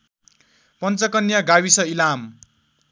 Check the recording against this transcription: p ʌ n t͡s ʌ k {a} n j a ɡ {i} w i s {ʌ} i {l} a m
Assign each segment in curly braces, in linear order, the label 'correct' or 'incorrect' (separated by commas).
incorrect, incorrect, correct, correct